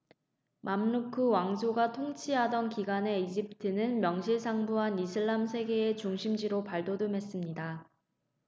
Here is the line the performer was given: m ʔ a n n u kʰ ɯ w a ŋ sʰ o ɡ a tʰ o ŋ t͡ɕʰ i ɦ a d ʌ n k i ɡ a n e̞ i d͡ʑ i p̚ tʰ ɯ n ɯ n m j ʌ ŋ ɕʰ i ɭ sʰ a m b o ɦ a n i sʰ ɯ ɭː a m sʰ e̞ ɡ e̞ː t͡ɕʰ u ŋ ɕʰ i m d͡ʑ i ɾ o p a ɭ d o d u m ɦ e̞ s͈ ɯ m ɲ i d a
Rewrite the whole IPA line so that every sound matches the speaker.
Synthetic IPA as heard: m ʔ a m n u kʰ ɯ w a ŋ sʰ o ɡ a tʰ o ŋ t͡ɕʰ i ɦ a d ʌ n k i ɡ a n e̞ i d͡ʑ i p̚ tʰ ɯ n ɯ n m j ʌ ŋ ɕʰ i ɭ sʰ a ŋ b u ɦ a n i sʰ ɯ ɭː a m sʰ e̞ ɡ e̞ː t͡ɕ u ŋ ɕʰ i m d͡ʑ i ɾ o p a ɭ d o d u m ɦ e̞ s͈ ɯ m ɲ i d a